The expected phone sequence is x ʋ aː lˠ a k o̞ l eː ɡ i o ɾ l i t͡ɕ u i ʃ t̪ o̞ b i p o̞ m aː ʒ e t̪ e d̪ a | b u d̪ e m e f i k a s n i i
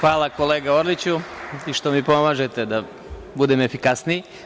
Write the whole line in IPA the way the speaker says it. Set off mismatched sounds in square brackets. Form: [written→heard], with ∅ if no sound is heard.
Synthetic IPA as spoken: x ʋ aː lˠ a k o̞ l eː ɡ [i→a] o ɾ l i t͡ɕ u i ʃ t̪ o̞ [b→m] i p o̞ m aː ʒ e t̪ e d̪ a | b u d̪ e m e f i k a s n i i